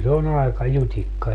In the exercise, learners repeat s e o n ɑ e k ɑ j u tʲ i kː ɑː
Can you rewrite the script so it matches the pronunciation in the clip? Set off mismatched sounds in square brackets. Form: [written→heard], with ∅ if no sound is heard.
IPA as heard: s e o n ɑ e k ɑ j u tʲ i kː [ɑː→ɑ]